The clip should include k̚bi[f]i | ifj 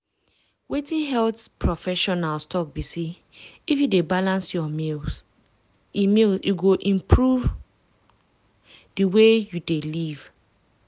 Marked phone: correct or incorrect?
incorrect: s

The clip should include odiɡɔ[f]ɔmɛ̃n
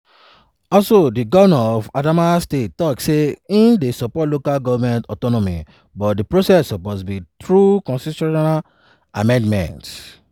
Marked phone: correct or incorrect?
incorrect: v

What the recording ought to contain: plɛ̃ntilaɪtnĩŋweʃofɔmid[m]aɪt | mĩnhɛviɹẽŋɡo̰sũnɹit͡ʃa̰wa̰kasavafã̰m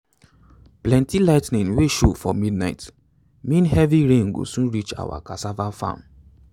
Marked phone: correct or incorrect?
incorrect: n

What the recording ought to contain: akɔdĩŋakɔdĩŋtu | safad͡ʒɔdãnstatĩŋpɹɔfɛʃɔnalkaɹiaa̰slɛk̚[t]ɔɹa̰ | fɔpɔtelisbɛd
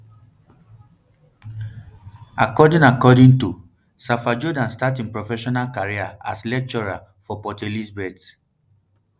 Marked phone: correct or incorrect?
incorrect: t͡ʃ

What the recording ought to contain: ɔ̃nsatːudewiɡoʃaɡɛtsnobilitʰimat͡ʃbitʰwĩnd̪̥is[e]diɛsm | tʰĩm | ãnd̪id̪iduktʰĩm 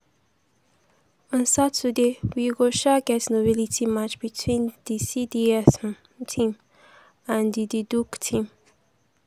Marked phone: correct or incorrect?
incorrect: i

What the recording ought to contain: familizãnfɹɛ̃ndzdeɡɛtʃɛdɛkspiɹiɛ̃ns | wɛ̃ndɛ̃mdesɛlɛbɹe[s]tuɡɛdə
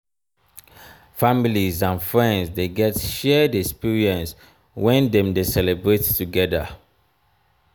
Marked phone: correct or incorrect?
incorrect: t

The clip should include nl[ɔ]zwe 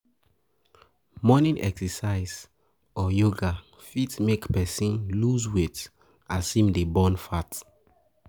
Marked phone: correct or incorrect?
incorrect: u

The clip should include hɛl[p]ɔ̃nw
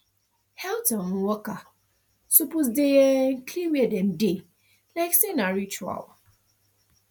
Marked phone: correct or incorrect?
incorrect: t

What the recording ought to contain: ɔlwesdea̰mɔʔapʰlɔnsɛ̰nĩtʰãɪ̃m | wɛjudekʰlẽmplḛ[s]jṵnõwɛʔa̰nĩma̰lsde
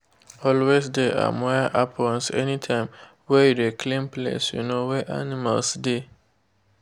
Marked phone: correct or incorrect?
correct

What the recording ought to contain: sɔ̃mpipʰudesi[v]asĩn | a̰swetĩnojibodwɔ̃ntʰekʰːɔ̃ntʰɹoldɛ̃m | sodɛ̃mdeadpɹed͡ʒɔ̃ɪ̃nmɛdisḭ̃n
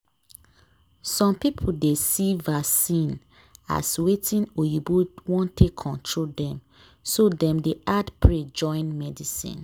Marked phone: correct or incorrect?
correct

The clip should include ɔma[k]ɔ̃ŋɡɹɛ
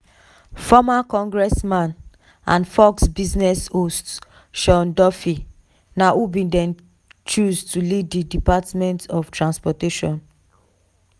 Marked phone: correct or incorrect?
correct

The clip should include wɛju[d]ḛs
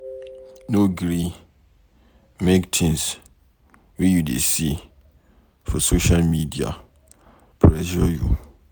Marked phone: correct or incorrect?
correct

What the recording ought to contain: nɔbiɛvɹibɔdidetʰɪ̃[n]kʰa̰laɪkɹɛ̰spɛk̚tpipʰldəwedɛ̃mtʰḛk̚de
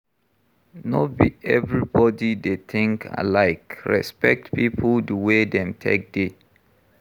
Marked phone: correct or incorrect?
incorrect: ŋ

